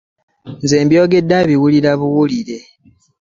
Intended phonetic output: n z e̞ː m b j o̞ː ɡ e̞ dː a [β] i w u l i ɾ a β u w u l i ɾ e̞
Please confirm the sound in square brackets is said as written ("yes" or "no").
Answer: yes